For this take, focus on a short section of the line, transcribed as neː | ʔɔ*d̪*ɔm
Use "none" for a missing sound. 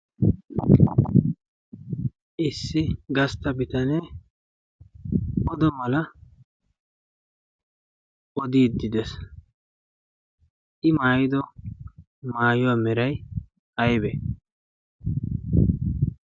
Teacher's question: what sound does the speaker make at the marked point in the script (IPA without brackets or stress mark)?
d̪